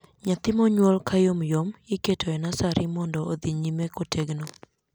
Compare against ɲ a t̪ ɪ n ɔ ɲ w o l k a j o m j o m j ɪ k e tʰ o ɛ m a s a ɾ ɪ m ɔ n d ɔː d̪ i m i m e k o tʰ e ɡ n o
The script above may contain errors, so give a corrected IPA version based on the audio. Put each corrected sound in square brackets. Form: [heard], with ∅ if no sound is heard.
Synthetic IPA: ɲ a t̪ ɪ [m] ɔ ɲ w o l k a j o m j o m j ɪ k e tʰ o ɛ [n] a s a ɾ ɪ m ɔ n d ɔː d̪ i [ɲ] i m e k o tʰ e ɡ n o